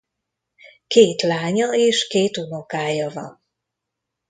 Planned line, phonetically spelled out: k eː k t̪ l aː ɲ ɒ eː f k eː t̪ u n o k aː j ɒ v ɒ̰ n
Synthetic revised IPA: k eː t̪ l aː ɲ ɒ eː ʃ k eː t̪ u n o k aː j ɒ v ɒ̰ n